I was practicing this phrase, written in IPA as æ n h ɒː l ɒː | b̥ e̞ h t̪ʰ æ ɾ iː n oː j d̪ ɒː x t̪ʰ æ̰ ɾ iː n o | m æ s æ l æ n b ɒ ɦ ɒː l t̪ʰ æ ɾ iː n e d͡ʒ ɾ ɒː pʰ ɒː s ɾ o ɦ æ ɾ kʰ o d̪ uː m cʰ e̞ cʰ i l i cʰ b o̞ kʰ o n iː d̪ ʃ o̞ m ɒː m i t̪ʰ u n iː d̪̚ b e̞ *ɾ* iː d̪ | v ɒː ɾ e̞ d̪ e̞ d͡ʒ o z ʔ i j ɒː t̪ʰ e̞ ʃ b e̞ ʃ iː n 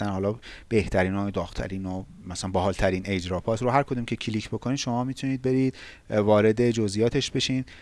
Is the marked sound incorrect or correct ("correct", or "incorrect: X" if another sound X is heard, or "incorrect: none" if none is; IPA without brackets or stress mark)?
correct